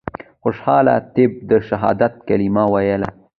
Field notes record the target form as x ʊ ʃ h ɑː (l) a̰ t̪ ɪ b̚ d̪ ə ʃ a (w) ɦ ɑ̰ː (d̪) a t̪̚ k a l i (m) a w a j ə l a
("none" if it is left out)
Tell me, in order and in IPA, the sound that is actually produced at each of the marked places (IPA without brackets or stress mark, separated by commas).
l, none, d̪, m